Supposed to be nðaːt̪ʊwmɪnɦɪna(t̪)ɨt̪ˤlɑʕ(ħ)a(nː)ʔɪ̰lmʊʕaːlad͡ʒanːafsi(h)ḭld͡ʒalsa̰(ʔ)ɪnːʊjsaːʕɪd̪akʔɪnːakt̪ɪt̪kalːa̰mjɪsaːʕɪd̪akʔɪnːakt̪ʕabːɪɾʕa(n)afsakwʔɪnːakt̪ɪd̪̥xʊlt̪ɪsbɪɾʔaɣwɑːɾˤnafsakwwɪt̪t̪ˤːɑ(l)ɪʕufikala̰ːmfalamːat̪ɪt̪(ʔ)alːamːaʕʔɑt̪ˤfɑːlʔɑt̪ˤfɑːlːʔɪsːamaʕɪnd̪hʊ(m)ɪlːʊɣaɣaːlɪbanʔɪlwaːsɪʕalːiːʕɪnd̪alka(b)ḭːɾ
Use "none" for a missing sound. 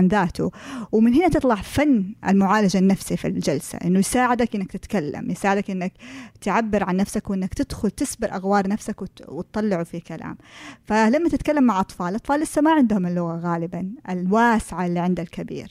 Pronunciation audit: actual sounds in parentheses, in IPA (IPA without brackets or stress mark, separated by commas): t̪, f, nː, f, ʔ, nː, lː, k, m, b